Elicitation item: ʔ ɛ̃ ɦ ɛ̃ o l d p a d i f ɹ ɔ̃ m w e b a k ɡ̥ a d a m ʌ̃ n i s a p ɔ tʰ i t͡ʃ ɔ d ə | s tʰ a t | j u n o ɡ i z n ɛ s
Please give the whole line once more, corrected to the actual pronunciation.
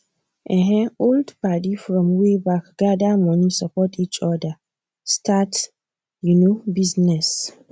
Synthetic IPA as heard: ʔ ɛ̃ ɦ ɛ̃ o l d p a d i f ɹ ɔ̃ m w e b a k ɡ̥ a d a m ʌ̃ n i s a p ɔ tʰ i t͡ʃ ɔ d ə | s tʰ a t | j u n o b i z n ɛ s

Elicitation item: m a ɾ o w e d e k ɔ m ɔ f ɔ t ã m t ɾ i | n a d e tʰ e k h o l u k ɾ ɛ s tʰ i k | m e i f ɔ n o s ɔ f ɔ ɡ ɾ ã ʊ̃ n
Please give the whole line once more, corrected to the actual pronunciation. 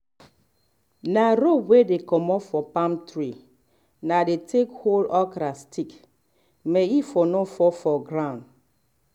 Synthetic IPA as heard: n a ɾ o w e d e k ɔ m ɔ f ɔ p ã m t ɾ i | n a d e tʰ e k h o l ɔ k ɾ a s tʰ i k | m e i f ɔ n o f ɔ f ɔ ɡ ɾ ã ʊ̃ n

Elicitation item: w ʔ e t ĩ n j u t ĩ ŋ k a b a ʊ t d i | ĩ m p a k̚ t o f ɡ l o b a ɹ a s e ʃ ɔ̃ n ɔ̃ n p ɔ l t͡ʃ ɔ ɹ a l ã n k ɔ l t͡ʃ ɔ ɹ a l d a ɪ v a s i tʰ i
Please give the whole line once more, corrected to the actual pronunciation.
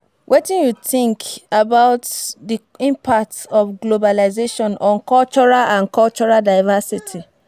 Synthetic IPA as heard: w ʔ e t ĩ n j u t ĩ ŋ k a b a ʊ t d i | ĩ m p a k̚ t ɔ f ɡ l o b a l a z e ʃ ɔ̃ n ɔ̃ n k ɔ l t͡ʃ ɔ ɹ a l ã n k ɔ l t͡ʃ ɔ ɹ a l d a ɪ v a s i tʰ i

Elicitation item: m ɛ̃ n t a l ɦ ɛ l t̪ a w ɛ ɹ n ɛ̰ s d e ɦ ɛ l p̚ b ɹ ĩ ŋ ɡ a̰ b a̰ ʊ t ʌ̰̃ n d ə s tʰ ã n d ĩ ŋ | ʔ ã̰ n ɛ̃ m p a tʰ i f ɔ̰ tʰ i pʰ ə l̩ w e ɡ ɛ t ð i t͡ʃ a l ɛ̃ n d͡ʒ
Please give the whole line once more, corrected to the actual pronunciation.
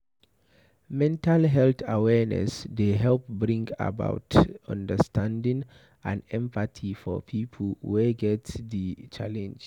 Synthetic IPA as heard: m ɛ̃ n t a l ɦ ɛ l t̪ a w ɛ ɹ n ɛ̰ s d e ɦ ɛ l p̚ b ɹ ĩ ŋ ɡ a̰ b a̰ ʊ t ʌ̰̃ n d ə s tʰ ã n d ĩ ŋ | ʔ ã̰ n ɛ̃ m p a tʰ i f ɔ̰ pʰ i pʰ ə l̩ w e ɡ ɛ t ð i t͡ʃ a l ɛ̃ n d͡ʒ

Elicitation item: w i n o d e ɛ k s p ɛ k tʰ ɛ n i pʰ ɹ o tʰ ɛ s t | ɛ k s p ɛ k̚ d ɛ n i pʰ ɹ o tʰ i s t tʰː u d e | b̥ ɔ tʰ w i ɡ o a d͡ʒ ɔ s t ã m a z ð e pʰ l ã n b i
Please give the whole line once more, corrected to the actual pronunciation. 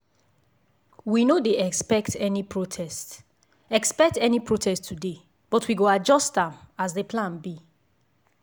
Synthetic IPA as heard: w i n o d e ɛ k s p ɛ k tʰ ɛ n i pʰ ɹ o tʰ ɛ s t | ɛ k s p ɛ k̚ t ɛ n i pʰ ɹ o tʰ ɛ s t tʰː u d e | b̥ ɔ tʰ w i ɡ o a d͡ʒ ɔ s t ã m a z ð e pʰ l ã n b i

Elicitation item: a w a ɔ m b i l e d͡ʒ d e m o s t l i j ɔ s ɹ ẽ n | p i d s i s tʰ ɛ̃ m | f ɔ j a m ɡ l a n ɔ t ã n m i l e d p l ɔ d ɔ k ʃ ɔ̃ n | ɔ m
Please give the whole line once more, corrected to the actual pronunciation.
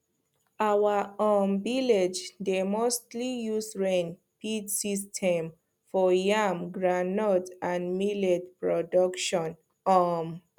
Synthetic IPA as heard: a w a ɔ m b i l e d͡ʒ d e m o s t l i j u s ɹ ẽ n | p i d s i s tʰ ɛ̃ m | f ɔ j a m ɡ ɹ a n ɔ t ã n m i l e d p ɹ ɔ d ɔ k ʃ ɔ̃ n | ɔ m

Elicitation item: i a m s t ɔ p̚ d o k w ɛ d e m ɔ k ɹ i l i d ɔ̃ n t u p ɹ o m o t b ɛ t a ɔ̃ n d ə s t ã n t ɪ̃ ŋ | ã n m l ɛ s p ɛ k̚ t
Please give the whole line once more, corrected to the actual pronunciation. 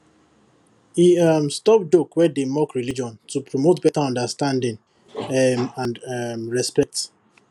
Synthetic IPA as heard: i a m s t ɔ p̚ d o k w ɛ d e m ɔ k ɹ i l i d͡ʒ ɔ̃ n t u p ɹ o m o t b ɛ t a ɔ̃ n d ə s t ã n d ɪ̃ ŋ | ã n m ɹ ɛ s p ɛ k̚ t

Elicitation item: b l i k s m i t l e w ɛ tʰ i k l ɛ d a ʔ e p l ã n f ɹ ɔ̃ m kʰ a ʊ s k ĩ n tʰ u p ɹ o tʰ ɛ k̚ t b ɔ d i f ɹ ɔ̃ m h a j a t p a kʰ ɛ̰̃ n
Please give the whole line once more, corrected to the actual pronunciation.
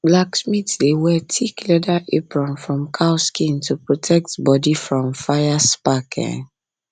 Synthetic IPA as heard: b l a k s m i t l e w ɛ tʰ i k l ɛ d a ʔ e p ɹ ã n f ɹ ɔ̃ m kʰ a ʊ s k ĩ n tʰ u p ɹ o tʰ ɛ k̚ t b ɔ d i f ɹ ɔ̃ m f a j a s p a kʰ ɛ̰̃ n

